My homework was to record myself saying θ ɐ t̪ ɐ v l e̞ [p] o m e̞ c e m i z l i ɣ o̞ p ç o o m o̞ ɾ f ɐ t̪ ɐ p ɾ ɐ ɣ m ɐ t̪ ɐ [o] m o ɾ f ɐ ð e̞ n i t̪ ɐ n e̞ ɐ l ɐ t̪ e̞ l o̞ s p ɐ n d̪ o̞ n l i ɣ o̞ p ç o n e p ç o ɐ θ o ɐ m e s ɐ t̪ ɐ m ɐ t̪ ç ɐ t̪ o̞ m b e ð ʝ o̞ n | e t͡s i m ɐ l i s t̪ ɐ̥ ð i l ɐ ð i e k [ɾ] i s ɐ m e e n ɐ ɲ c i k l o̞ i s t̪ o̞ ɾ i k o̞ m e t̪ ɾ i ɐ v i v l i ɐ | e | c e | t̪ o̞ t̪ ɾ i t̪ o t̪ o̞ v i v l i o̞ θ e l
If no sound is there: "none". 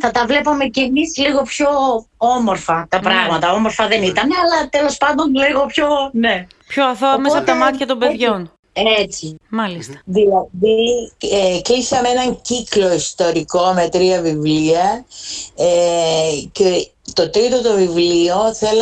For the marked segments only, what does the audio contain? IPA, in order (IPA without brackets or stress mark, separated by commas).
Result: p, o, l